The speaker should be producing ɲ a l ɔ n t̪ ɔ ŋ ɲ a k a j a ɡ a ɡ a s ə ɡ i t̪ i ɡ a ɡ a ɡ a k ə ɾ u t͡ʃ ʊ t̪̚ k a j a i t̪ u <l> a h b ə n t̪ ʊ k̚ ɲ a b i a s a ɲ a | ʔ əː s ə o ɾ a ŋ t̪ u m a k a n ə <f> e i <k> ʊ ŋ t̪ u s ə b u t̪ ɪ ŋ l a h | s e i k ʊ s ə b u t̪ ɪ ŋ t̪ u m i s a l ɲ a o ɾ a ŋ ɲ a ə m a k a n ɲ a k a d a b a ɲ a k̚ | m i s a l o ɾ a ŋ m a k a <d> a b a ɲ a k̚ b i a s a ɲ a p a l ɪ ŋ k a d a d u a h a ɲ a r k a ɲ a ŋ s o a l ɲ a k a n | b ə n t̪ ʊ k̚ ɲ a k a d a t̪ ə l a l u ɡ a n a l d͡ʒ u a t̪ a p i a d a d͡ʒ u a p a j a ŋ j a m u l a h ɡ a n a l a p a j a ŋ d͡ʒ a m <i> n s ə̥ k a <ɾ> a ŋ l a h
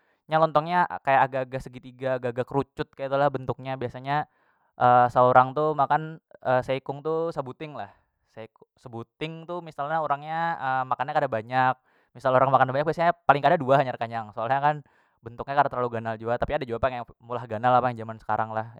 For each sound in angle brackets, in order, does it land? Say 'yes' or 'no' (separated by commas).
yes, no, yes, no, no, yes